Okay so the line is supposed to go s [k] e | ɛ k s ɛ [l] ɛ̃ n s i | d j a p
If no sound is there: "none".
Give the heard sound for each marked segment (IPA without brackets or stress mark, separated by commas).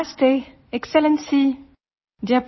t, l